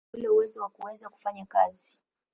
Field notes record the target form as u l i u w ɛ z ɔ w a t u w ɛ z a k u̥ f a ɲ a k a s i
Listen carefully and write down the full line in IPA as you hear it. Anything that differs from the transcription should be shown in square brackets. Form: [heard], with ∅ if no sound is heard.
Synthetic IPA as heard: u l [ɛ] u w ɛ z ɔ w a [k] u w ɛ z a k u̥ f a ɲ a k a [z] i